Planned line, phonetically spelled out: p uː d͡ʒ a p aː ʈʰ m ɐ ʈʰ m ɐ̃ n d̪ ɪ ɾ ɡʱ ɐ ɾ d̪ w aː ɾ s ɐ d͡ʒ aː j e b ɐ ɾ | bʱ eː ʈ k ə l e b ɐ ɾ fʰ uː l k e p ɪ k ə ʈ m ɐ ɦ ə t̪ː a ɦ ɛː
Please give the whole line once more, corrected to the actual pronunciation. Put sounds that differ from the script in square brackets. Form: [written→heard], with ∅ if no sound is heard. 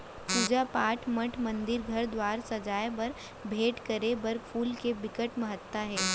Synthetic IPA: p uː d͡ʒ a p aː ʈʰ m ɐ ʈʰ m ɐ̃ n d̪ ɪ ɾ ɡʱ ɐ ɾ d̪ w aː ɾ s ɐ d͡ʒ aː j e b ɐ ɾ | bʱ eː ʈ k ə [l→ɾ] e b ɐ ɾ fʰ uː l k e [p→b] ɪ k ə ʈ m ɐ ɦ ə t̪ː a ɦ ɛː